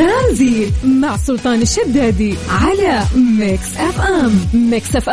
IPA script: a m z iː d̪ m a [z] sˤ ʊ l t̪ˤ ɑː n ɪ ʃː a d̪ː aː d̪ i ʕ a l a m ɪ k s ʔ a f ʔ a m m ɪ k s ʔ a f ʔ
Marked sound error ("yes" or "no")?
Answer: yes